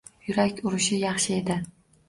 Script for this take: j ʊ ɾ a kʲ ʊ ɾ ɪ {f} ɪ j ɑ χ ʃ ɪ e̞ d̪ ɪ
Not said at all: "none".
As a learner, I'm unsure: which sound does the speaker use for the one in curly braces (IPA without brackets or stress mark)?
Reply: ʃ